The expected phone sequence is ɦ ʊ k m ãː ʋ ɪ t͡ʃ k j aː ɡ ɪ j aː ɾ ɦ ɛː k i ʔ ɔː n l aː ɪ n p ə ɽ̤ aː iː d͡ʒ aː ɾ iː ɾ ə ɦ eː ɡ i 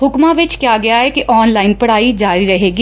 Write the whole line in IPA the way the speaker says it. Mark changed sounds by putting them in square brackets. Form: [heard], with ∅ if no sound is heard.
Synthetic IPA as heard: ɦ ʊ k m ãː ʋ ɪ t͡ʃ k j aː ɡ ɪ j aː [∅] ɦ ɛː k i ʔ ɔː n l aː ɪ n p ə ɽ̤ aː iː d͡ʒ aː ɾ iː ɾ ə ɦ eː ɡ i